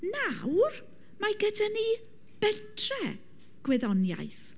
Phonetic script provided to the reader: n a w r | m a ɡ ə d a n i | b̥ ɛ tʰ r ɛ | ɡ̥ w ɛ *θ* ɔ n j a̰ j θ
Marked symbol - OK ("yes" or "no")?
no